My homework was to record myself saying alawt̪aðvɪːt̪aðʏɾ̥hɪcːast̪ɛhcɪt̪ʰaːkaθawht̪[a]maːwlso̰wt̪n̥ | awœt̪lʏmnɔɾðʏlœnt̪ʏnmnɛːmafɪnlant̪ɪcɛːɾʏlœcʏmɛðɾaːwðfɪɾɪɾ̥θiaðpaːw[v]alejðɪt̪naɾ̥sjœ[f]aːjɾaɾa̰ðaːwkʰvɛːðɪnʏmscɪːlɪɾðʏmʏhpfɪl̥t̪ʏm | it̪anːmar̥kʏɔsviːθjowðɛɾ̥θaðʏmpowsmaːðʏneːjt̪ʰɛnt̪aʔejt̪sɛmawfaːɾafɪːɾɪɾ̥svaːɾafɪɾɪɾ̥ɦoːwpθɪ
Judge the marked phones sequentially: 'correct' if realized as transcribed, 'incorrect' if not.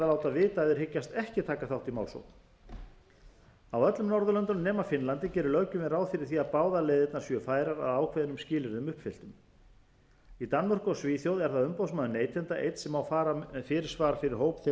incorrect: i, incorrect: ð, correct

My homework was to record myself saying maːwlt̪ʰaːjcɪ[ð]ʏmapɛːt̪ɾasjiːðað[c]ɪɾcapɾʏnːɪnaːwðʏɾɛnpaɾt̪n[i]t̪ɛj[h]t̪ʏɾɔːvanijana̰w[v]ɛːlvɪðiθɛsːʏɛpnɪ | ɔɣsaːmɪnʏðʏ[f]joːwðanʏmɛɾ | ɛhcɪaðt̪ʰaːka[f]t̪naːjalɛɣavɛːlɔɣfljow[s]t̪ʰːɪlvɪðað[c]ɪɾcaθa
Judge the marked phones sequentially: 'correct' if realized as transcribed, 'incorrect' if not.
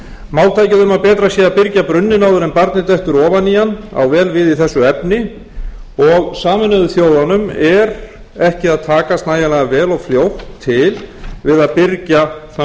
correct, incorrect: p, incorrect: ɪ, correct, correct, incorrect: θ, incorrect: s, incorrect: h, incorrect: p

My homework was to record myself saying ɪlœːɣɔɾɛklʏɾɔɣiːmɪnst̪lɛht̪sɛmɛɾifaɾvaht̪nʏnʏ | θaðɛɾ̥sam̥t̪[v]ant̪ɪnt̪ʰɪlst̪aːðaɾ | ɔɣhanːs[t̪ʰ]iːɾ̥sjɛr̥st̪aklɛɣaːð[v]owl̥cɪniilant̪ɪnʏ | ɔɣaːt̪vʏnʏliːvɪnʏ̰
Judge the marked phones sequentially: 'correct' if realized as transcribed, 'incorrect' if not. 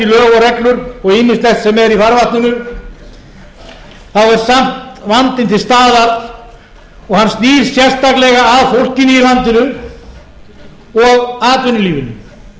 correct, incorrect: t̪, incorrect: f

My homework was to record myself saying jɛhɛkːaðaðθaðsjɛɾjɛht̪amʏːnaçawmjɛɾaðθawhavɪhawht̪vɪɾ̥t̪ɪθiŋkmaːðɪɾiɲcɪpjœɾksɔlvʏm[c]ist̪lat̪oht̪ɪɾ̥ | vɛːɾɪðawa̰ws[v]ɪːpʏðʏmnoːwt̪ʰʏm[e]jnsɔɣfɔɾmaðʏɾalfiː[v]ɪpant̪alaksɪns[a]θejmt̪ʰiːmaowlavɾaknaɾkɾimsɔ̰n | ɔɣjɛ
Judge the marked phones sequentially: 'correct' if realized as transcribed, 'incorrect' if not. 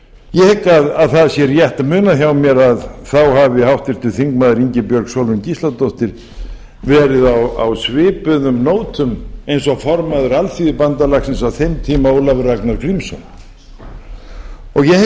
correct, correct, correct, incorrect: ð, correct

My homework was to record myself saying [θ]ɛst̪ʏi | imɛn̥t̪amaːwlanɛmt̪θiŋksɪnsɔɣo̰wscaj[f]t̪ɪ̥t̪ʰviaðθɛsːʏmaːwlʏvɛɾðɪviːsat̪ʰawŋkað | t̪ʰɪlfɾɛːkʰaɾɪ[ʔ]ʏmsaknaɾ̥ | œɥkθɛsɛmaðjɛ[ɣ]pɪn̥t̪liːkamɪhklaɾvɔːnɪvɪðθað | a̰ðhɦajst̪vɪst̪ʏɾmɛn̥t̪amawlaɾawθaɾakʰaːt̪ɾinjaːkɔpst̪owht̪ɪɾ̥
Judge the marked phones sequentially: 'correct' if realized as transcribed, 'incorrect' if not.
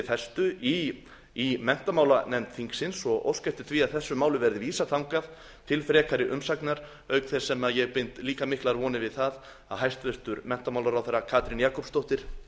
correct, correct, correct, correct

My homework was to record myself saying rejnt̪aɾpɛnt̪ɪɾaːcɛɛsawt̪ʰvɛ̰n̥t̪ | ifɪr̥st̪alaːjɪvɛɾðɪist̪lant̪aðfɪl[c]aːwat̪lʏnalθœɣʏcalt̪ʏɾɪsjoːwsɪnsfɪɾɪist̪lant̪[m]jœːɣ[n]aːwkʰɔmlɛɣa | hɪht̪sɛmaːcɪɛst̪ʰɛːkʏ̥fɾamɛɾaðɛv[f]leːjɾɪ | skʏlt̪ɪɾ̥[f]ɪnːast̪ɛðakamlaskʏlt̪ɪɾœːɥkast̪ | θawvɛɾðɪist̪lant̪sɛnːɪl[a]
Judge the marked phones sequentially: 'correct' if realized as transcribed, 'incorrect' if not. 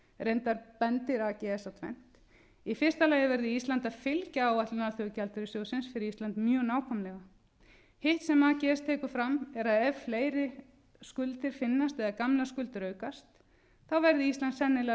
correct, correct, correct, correct, correct, incorrect: ɛ

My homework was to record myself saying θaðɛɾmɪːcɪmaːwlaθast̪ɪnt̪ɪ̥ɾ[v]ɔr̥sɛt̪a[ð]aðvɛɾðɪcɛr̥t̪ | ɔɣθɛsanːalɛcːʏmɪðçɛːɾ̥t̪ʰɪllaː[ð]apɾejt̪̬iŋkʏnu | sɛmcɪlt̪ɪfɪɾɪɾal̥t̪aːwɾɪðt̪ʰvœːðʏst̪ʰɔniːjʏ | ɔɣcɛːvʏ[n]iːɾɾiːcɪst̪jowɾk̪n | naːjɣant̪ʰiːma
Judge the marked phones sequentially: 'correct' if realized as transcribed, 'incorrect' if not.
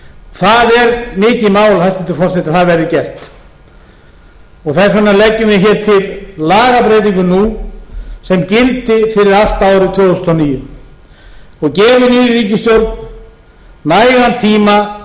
incorrect: f, incorrect: θ, incorrect: ɣ, correct

